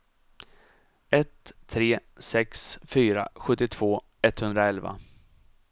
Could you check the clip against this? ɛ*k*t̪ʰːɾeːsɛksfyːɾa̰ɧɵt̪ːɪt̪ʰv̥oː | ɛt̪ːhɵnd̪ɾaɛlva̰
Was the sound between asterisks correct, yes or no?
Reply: no